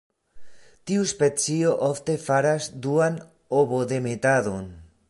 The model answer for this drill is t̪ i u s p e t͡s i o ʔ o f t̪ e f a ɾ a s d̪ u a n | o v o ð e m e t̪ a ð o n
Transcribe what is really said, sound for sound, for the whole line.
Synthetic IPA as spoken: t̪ i u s p e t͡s i o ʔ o f t̪ e f a ɾ a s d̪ u a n | o β o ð e m e t̪ a ð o n